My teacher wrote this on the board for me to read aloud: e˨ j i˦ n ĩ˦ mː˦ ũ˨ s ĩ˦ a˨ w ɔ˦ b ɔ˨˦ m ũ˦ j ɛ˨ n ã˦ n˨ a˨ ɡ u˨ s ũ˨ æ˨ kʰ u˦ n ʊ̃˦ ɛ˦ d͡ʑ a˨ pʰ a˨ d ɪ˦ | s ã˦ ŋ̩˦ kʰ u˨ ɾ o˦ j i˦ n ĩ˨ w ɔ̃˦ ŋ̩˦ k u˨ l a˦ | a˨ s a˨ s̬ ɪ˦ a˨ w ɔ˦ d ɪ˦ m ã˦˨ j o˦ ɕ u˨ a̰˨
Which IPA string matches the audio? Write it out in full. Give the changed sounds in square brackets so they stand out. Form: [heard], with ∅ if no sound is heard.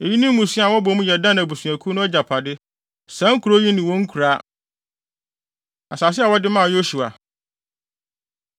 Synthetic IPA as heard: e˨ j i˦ n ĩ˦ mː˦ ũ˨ s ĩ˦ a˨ w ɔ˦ b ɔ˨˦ m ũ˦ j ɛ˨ [d] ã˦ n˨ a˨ [b] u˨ s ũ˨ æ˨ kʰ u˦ n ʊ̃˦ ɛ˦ d͡ʑ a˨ pʰ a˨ d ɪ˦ | s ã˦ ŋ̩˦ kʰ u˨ ɾ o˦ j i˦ n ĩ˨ w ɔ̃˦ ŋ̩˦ [kʰ] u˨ [ɾ] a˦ | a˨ s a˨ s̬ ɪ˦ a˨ w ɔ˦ d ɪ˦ m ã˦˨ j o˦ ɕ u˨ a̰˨